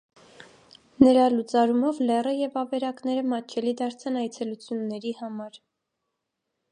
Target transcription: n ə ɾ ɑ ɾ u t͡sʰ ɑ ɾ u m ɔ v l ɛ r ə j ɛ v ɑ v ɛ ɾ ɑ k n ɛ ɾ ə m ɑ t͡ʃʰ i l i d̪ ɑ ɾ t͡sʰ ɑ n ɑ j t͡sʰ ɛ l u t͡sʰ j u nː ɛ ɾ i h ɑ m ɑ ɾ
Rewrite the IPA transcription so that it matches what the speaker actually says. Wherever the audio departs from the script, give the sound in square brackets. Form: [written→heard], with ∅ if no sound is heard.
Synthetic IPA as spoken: n ə ɾ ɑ [ɾ→l] u [t͡sʰ→t͡s] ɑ ɾ u m ɔ v l ɛ r ə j ɛ v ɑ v ɛ ɾ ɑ k n ɛ ɾ ə m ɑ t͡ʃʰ [i→ɛ] l i d̪ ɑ ɾ t͡sʰ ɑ n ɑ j t͡sʰ ɛ l u t͡sʰ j u nː ɛ ɾ i h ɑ m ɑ ɾ

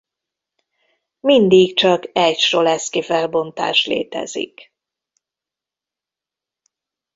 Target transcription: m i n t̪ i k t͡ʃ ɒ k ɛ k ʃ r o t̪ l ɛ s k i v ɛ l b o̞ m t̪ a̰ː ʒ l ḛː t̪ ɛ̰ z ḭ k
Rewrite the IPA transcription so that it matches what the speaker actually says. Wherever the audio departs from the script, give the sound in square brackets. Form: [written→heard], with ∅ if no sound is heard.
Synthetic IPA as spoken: m i n [t̪→d̪] i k t͡ʃ ɒ k ɛ [k→c] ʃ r o [t̪→∅] l ɛ s k i [v→f] ɛ l b o̞ [m→n] t̪ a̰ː [ʒ→ʃ] l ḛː t̪ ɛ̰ z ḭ k

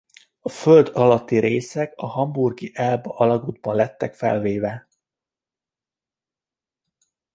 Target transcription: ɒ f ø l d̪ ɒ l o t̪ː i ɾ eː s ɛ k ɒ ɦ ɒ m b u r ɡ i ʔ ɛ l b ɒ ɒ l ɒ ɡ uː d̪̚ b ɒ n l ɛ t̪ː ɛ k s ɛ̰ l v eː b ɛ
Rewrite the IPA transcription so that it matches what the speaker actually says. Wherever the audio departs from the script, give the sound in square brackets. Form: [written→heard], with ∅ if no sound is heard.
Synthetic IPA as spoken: ɒ f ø l d̪ ɒ l [o→ɒ] t̪ː i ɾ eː s ɛ k ɒ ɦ ɒ m b u r ɡ i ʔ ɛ l b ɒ ɒ l ɒ ɡ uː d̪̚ b ɒ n l ɛ t̪ː ɛ k [s→f] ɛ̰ l v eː [b→v] ɛ

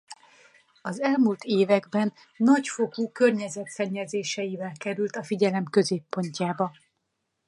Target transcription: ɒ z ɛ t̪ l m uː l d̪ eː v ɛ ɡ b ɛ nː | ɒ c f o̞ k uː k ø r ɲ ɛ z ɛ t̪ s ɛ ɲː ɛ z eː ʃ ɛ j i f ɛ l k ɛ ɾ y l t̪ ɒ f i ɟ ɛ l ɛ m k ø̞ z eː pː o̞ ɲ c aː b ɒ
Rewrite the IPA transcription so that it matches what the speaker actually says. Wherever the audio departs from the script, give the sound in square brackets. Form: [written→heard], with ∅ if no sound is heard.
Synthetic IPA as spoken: ɒ z ɛ [t̪→∅] l m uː l [d̪→t̪] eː v ɛ ɡ b ɛ nː | ɒ c f o̞ k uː k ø r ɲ ɛ z ɛ t̪ s ɛ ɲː ɛ z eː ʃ ɛ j i [f→v] ɛ l k ɛ ɾ y l t̪ ɒ f i ɟ ɛ l ɛ m k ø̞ z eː pː o̞ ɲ c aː b ɒ

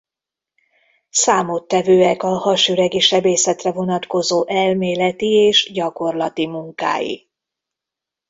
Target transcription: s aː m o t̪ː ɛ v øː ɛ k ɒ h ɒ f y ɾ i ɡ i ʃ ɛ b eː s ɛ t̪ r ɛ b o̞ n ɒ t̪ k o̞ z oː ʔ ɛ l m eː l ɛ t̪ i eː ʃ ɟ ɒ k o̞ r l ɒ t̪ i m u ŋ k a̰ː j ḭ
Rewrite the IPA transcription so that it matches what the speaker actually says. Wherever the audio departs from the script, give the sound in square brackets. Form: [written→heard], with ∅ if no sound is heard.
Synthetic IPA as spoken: s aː m o t̪ː ɛ v øː ɛ k ɒ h ɒ [f→ʃ] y ɾ [i→ɛ] ɡ i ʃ ɛ b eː s ɛ t̪ r ɛ [b→v] o̞ n ɒ t̪ k o̞ z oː ʔ ɛ l m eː l ɛ t̪ i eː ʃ ɟ ɒ k o̞ r l ɒ t̪ i m u ŋ k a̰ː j ḭ

